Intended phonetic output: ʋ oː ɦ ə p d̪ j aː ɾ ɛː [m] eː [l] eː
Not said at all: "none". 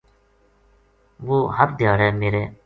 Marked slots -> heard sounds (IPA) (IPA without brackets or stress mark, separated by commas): m, ɾ